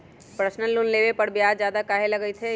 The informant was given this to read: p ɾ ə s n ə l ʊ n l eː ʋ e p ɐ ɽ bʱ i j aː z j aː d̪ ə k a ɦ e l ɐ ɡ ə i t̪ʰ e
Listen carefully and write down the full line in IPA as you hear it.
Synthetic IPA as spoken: p ɾ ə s n ə l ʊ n l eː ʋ e p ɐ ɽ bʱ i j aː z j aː d̪ a k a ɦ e l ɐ ɡ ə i t̪ʰ e